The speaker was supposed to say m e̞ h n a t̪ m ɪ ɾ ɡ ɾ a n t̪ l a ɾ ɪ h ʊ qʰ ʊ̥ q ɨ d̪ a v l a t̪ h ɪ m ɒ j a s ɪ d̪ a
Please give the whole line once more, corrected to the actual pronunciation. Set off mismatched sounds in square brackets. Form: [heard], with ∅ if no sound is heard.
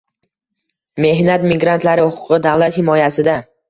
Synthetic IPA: m e̞ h n a t̪ m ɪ [∅] ɡ ɾ a n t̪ l a ɾ ɪ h ʊ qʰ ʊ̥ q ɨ d̪ a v l a t̪ h ɪ m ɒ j a s ɪ d̪ a